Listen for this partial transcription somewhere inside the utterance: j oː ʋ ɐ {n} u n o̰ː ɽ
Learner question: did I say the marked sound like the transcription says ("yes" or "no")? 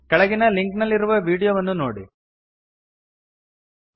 no